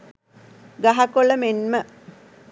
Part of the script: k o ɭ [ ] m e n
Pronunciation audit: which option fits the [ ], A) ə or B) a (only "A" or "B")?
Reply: A